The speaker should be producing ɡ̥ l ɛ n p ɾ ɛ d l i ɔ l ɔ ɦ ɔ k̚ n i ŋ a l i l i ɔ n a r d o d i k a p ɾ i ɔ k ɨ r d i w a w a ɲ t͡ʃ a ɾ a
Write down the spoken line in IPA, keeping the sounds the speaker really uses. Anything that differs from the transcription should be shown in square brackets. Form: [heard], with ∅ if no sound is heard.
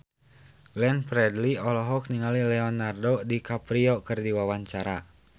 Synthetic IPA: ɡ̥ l ɛ n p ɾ ɛ d l i ɔ l ɔ ɦ ɔ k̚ n i ŋ a l i l [ɛ] ɔ n a r d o d i k a p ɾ i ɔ k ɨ r d i w a w a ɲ t͡ʃ a ɾ a